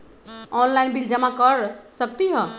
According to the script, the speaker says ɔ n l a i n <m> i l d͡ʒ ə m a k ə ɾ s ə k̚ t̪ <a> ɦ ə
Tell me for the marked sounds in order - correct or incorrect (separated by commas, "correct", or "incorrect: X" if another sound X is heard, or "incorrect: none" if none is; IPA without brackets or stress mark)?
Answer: incorrect: b, incorrect: i